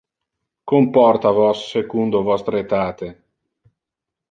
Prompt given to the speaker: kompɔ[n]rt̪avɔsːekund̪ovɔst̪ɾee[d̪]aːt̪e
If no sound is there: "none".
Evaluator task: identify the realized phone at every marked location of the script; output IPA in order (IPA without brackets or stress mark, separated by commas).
none, t̪